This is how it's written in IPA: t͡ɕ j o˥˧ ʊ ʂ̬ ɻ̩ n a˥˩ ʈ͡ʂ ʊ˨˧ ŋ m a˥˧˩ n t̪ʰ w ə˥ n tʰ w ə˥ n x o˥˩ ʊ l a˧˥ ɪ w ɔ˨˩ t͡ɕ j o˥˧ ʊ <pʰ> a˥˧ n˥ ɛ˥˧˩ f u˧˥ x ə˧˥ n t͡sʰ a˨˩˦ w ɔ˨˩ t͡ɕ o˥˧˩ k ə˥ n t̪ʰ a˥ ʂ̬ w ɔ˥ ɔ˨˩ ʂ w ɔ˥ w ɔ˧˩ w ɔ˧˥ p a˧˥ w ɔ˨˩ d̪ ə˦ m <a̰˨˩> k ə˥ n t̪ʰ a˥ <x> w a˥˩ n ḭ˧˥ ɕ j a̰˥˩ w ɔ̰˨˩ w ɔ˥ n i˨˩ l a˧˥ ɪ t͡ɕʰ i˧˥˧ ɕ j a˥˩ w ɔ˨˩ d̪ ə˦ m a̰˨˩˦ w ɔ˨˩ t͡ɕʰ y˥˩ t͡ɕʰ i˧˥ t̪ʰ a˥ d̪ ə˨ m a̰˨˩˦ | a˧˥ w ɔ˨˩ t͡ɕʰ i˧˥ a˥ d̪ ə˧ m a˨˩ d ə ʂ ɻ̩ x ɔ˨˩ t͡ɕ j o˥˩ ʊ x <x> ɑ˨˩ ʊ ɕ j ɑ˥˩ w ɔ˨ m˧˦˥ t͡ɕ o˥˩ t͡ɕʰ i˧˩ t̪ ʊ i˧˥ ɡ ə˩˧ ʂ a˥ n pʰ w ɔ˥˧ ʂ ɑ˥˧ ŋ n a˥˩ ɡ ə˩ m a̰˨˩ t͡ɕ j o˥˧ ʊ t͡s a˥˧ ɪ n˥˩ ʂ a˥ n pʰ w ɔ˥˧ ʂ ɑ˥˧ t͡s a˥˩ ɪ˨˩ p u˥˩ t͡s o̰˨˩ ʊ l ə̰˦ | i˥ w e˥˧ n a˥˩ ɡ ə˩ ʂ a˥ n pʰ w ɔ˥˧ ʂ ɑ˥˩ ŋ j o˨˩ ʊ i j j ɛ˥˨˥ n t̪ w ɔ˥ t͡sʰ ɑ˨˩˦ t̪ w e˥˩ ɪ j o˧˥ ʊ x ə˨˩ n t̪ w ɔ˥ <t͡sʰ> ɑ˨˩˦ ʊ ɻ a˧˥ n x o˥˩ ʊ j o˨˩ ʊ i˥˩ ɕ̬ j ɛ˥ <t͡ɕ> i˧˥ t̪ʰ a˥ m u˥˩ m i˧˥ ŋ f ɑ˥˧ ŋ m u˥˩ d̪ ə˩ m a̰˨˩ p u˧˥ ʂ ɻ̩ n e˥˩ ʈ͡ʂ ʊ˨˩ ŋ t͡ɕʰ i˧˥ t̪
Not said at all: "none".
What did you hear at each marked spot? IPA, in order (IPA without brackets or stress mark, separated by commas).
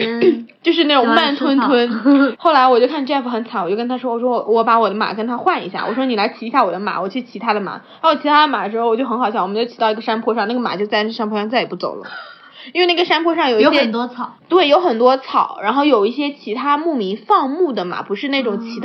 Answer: kʰ, a̰˨˩, x, x, t͡sʰ, t͡ɕʰ